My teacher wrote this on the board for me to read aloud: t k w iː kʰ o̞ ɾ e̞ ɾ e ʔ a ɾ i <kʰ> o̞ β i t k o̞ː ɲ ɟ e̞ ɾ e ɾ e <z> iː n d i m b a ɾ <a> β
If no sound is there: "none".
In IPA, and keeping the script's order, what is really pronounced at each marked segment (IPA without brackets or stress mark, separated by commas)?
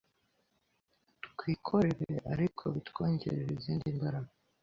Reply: kʰ, z, a